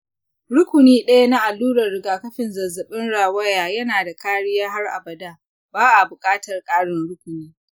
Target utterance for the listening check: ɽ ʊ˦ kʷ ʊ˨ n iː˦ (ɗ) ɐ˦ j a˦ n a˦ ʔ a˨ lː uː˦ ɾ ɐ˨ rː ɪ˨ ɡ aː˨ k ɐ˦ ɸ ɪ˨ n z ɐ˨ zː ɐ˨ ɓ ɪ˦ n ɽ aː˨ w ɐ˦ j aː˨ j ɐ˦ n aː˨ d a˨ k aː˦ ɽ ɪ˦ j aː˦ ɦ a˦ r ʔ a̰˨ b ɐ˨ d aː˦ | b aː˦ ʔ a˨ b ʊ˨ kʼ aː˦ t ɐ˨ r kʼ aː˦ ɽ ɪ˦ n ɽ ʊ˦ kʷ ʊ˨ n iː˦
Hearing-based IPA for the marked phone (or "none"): ɗ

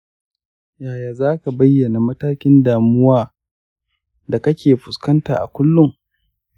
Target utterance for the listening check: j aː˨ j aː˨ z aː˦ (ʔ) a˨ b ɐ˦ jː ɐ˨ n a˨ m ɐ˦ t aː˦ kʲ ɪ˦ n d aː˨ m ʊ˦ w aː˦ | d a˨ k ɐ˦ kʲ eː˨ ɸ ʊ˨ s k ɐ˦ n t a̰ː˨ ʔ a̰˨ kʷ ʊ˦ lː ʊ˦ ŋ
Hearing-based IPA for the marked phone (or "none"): k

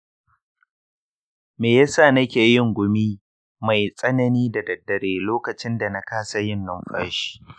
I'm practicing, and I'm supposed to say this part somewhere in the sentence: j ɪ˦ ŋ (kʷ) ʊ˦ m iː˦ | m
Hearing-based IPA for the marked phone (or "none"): ɡʷ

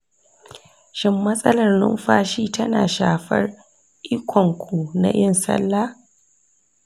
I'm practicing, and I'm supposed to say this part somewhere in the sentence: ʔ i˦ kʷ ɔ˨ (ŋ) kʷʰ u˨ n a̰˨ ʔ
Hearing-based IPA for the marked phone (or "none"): ŋ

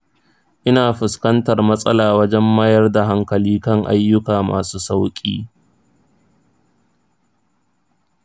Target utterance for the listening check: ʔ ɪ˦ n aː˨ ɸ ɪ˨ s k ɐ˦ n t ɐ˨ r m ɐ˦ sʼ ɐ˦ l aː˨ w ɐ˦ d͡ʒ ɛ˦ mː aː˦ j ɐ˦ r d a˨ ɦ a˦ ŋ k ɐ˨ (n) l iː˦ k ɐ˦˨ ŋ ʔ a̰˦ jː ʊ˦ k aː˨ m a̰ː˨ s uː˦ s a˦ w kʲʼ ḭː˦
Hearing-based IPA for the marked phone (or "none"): none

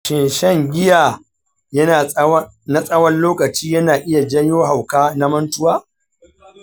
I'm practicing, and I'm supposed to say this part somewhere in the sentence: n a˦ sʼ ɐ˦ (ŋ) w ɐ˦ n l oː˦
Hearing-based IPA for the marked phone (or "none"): none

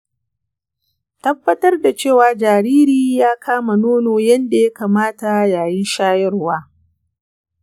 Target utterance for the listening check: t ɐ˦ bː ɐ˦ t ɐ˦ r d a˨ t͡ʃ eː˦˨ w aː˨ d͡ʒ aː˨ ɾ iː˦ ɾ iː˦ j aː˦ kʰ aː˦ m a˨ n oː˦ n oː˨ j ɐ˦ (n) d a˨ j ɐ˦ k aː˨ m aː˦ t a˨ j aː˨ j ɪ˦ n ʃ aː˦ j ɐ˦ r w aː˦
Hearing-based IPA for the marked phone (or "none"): n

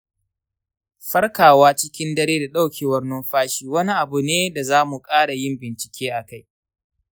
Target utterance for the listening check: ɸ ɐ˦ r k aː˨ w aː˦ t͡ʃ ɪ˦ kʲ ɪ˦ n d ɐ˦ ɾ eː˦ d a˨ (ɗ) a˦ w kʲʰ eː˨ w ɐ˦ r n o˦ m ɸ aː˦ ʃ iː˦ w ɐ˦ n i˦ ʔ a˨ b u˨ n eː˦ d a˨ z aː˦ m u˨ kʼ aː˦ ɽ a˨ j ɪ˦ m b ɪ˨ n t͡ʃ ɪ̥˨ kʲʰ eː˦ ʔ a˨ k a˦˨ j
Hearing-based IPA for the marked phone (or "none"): ɗ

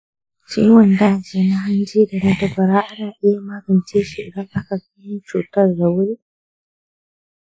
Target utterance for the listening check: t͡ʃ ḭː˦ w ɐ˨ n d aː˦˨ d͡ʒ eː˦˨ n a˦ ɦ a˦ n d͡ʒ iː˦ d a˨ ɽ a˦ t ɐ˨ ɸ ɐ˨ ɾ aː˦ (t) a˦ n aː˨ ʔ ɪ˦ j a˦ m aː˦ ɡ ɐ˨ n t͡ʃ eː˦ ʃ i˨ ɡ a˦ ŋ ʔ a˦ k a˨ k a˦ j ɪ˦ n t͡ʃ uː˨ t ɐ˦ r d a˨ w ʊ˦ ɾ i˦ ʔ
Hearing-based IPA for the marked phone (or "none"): ʔ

